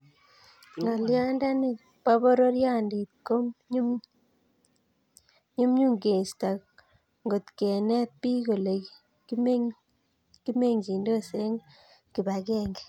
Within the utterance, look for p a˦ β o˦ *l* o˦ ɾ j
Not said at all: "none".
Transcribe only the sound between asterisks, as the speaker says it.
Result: ɾ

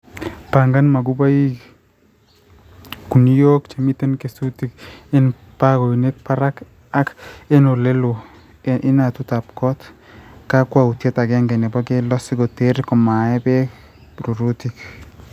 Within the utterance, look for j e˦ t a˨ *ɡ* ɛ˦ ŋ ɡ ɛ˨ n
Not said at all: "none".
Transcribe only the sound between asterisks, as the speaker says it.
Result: ɡ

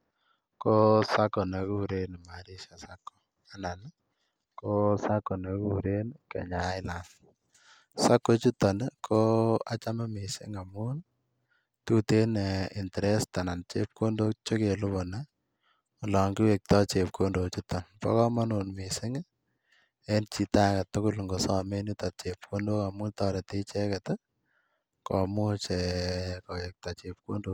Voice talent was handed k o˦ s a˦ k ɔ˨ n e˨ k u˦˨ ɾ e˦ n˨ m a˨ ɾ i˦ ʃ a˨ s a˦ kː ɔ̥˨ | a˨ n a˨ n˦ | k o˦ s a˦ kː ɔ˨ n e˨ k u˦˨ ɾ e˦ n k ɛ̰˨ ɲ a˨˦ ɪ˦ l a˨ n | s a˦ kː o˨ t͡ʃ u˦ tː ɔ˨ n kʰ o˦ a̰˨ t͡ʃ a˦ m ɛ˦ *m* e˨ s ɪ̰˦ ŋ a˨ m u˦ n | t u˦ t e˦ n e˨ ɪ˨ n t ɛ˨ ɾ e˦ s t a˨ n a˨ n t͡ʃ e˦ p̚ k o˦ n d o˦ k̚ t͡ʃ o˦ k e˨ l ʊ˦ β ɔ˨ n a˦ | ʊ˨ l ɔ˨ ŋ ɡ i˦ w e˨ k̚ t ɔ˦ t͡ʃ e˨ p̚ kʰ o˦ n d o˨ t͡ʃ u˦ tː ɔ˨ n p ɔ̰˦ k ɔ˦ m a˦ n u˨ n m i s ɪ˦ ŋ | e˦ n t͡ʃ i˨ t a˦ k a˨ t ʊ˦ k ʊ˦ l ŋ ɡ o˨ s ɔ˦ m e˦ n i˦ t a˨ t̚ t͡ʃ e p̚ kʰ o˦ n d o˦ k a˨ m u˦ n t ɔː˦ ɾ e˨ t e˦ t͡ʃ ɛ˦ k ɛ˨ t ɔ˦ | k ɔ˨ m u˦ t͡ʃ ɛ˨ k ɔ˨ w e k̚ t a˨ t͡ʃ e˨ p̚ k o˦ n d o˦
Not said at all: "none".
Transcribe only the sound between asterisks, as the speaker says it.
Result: m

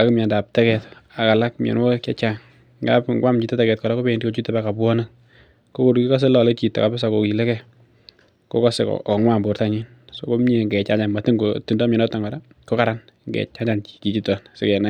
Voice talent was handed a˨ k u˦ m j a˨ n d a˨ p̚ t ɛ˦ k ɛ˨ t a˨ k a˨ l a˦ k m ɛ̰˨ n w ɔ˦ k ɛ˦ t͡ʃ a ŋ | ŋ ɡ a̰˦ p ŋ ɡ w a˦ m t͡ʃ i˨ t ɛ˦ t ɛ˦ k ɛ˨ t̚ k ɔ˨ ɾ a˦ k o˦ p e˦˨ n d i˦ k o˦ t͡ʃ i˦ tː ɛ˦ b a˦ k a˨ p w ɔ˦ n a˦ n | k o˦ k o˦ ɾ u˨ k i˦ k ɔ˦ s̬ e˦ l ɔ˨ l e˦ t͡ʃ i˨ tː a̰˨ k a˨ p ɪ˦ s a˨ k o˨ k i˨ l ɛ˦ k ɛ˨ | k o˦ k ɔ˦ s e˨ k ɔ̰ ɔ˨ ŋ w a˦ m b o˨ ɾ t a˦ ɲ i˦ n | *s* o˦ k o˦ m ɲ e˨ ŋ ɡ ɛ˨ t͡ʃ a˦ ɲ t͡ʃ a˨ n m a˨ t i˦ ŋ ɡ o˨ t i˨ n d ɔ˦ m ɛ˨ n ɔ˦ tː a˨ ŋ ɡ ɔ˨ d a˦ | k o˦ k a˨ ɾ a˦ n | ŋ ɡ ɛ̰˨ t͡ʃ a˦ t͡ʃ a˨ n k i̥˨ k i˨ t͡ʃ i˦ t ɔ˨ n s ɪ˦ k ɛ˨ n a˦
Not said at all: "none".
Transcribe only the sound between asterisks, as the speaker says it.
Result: s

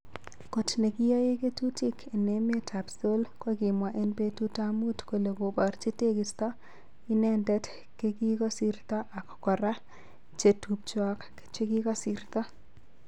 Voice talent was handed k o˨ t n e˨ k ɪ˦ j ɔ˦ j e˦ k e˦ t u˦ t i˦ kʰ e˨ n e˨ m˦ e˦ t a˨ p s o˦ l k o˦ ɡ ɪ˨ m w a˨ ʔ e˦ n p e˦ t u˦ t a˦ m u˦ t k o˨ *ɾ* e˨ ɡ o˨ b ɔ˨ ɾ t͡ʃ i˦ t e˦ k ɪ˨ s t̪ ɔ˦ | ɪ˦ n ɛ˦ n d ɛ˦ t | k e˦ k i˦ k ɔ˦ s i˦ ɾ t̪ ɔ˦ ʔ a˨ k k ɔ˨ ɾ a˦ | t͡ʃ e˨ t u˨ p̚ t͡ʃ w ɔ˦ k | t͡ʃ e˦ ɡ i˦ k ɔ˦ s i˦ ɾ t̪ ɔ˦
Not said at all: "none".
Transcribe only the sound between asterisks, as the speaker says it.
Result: l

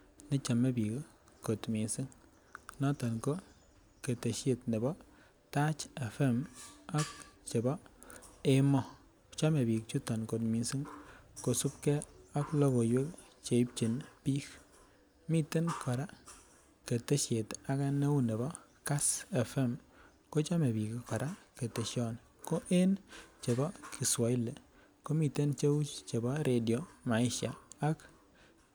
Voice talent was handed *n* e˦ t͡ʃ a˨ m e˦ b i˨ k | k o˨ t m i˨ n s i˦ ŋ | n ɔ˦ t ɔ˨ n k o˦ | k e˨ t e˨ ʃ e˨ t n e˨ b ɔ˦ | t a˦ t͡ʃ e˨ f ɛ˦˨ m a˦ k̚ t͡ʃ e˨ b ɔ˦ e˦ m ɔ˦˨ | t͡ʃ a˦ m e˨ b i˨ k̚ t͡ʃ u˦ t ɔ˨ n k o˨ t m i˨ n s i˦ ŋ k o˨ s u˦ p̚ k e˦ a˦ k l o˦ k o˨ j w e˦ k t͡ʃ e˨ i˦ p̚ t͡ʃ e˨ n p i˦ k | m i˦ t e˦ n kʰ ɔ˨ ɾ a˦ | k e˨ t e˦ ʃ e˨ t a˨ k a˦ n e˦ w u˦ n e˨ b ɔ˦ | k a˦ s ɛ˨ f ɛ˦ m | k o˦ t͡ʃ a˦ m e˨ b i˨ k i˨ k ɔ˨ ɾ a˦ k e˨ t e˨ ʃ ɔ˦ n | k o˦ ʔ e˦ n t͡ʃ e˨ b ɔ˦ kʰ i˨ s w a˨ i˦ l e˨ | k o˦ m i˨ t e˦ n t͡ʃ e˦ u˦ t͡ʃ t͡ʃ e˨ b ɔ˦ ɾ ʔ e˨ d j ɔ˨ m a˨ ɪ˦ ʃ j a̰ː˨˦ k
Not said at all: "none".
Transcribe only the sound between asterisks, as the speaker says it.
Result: n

